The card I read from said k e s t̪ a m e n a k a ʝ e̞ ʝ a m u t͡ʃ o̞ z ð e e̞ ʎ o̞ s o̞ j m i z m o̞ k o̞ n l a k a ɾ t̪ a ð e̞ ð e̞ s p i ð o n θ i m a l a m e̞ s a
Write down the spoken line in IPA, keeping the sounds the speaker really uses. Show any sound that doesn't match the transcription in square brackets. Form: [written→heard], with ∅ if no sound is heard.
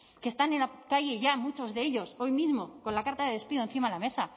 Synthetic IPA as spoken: k e s t̪ a [m→n] e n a k a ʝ e̞ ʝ a m u t͡ʃ o̞ z ð e e̞ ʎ o̞ s o̞ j m i z m o̞ k o̞ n l a k a ɾ t̪ a ð e̞ ð e̞ s p i ð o n θ i m a l a m e̞ s a